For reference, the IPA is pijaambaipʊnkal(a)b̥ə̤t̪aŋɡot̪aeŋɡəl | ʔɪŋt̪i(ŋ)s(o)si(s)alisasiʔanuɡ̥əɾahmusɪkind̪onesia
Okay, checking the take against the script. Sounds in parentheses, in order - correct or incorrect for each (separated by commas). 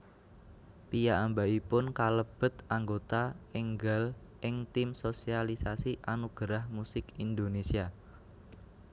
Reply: incorrect, incorrect, correct, incorrect